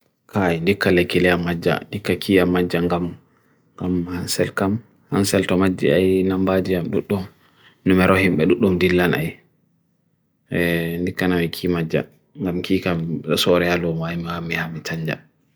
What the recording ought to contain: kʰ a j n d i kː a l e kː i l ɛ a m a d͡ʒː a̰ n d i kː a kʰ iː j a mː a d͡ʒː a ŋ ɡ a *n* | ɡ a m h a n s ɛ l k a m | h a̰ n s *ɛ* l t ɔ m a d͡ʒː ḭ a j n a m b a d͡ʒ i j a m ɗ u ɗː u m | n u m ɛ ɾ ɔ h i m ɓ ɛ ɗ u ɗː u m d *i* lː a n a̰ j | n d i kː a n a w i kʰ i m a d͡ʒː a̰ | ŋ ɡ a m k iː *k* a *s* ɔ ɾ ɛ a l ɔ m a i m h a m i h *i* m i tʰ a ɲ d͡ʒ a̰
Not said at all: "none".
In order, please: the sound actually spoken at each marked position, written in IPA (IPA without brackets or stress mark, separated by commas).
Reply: m, ɛ, i, k, s, a